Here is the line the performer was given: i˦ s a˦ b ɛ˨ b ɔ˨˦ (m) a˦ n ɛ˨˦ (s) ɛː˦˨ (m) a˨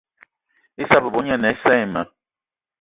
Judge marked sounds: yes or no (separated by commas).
no, yes, yes